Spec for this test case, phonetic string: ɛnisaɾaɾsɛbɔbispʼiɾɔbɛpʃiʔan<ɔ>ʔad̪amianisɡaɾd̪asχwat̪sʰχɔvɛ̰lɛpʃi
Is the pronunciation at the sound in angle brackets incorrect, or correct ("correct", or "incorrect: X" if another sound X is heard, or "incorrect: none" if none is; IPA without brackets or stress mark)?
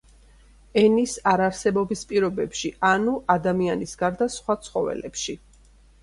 incorrect: u